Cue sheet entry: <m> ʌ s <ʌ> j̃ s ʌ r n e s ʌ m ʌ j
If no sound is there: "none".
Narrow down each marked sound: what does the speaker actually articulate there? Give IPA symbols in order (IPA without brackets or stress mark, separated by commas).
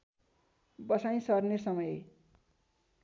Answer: b, a